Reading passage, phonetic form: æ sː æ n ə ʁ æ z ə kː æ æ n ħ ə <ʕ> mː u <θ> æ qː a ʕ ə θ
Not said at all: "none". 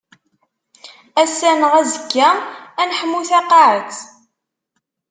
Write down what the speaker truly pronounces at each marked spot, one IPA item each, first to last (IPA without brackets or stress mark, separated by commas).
none, θ